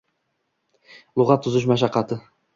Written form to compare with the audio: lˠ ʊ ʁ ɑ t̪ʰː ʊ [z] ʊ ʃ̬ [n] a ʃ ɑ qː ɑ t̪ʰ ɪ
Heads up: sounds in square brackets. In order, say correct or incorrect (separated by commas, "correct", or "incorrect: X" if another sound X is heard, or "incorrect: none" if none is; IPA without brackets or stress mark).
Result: correct, incorrect: m